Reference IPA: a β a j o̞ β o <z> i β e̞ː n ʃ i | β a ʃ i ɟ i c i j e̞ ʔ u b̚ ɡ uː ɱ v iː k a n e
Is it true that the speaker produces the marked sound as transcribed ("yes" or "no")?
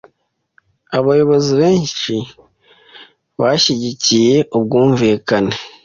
yes